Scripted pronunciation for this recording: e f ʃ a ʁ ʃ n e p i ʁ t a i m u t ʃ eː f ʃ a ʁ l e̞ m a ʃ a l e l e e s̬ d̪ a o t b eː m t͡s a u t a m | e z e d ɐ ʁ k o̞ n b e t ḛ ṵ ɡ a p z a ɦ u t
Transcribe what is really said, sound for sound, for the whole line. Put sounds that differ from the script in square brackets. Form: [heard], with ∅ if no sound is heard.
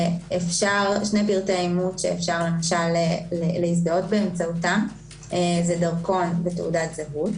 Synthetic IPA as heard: e f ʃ a ʁ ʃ n e p i ʁ t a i m u t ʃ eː f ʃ a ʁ l e̞ m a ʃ a l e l e [i] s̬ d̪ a o t b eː m t͡s a u t a m | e z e d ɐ ʁ k o̞ n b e t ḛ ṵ [d] a [t] z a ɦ u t